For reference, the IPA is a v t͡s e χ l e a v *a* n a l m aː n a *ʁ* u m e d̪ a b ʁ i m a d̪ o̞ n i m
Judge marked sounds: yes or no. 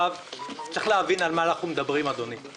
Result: no, no

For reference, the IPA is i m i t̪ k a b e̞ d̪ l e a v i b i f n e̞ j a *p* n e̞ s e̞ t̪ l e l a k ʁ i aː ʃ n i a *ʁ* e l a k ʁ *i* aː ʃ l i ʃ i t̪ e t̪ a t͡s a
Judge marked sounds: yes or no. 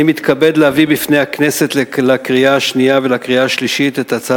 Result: no, no, yes

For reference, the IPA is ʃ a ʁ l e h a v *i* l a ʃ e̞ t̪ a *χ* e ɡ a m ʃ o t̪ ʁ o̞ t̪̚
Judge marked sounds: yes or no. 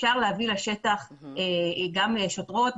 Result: yes, yes

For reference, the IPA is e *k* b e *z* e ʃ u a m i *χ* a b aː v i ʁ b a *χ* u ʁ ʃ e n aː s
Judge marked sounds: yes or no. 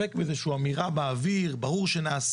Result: yes, yes, no, no

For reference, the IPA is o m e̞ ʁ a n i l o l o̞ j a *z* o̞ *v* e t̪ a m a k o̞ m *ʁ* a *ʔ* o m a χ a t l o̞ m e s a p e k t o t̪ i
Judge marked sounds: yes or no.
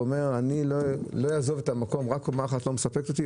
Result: yes, yes, yes, no

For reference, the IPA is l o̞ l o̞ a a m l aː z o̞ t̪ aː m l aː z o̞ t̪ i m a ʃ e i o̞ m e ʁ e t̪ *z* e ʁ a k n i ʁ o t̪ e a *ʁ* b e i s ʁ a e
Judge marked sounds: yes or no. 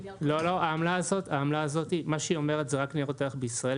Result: yes, no

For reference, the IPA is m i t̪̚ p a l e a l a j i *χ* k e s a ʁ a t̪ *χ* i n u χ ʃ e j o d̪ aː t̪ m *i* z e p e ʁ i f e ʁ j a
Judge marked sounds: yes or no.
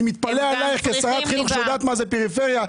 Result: yes, yes, no

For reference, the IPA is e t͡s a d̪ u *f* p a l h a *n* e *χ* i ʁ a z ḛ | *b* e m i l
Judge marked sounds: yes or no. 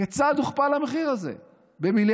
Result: no, no, yes, yes

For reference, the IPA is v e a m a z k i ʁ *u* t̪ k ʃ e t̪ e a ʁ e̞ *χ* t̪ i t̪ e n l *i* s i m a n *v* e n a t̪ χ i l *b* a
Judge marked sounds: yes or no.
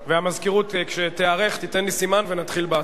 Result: yes, yes, yes, yes, yes

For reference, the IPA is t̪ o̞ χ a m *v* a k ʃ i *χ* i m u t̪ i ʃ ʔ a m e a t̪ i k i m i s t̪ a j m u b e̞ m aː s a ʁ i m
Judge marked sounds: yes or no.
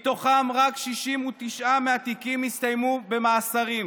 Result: no, no

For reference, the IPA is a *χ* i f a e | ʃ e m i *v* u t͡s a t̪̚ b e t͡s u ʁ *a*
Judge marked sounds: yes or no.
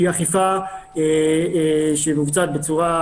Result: yes, yes, yes

